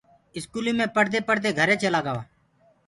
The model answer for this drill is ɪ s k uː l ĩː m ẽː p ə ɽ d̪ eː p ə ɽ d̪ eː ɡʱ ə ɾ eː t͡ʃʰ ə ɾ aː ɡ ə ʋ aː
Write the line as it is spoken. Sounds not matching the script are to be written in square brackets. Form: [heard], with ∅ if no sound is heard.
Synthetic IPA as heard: ɪ s k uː l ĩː m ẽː p ə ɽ d̪ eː p ə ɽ d̪ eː ɡʱ ə ɾ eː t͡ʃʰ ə [l] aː ɡ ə ʋ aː